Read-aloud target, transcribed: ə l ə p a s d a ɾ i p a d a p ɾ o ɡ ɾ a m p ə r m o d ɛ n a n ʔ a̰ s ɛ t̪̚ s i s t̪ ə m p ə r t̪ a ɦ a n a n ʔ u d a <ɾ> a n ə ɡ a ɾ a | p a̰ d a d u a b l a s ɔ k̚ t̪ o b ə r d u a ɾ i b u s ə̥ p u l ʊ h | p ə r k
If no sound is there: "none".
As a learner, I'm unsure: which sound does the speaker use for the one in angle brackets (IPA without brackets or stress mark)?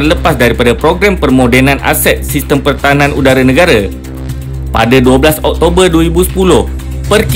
ɾ